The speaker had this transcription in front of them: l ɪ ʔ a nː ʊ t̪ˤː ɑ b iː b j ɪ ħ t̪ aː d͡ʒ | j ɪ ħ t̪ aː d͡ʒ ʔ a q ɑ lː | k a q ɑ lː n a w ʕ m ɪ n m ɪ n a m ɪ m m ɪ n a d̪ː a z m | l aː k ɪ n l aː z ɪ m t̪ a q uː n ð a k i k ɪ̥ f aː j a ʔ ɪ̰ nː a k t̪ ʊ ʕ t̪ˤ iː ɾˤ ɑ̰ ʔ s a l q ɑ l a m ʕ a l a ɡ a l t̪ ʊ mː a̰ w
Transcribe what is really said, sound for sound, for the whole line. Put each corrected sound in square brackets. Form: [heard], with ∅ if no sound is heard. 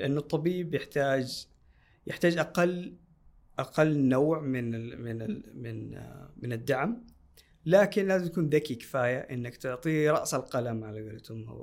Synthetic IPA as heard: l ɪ ʔ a nː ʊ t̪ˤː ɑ b iː b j ɪ ħ t̪ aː d͡ʒ | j ɪ ħ t̪ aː d͡ʒ ʔ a q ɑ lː | [ʔ] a q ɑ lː n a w ʕ m ɪ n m ɪ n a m ɪ [n] m ɪ n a d̪ː a [ʕ] m | l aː k ɪ n l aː z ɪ m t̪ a [k] uː n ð a k i k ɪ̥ f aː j a ʔ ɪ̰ nː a k t̪ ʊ ʕ t̪ˤ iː ɾˤ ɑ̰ ʔ s a l q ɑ l a m ʕ a l a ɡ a l t̪ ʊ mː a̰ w